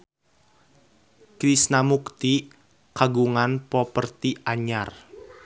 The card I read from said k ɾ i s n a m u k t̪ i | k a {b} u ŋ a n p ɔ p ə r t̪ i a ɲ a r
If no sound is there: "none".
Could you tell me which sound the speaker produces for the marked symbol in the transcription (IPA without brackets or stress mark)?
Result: ɡ